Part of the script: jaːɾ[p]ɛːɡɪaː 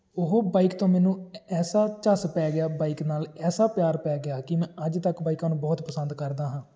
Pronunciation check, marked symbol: correct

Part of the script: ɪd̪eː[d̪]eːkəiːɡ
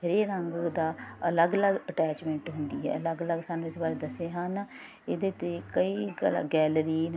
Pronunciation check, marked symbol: incorrect: t̪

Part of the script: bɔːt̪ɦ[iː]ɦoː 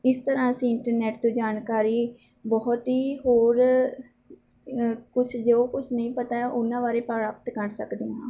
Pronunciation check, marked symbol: correct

